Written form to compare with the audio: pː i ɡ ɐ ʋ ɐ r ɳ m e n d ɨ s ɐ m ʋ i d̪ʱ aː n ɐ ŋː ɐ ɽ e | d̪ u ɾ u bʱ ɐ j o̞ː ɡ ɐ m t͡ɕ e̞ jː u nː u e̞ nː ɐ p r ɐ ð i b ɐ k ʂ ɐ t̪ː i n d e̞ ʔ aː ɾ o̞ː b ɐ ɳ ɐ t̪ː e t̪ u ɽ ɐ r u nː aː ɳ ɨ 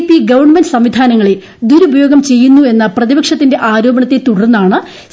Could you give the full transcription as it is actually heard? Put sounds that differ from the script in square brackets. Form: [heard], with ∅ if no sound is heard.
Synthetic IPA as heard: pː i ɡ ɐ ʋ ɐ r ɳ m e n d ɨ s ɐ m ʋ i d̪ʱ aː n ɐ ŋː ɐ [ɭ] e | d̪ u ɾ u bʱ ɐ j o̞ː ɡ ɐ m t͡ɕ e̞ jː u nː u e̞ nː ɐ p r ɐ ð i b ɐ k ʂ ɐ t̪ː i n d e̞ ʔ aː ɾ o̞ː b ɐ ɳ ɐ t̪ː e t̪ u ɽ ɐ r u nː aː ɳ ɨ